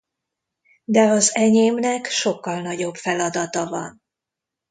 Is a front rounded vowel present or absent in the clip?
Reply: absent